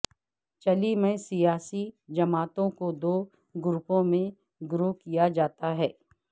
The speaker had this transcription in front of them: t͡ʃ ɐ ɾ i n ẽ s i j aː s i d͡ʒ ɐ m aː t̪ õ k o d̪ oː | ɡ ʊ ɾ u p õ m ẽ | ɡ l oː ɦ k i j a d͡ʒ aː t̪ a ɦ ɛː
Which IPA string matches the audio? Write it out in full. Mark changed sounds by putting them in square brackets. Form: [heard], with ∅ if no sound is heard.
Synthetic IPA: t͡ʃ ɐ [l] i [m] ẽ s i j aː s i d͡ʒ ɐ m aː t̪ õ k o d̪ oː | ɡ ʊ ɾ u p õ m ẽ | ɡ [ɾ] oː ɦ k i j a d͡ʒ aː t̪ a ɦ ɛː